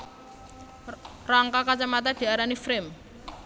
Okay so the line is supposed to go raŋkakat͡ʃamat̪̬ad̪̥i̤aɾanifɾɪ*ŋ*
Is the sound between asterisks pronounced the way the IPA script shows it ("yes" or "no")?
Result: no